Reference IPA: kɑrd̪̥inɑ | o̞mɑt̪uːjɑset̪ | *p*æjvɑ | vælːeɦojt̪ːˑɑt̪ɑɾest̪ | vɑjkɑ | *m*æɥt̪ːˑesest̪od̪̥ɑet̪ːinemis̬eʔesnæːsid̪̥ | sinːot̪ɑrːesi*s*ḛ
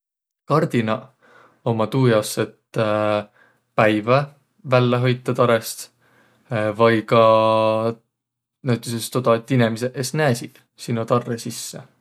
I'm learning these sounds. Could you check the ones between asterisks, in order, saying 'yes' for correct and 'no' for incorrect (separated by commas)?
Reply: yes, no, no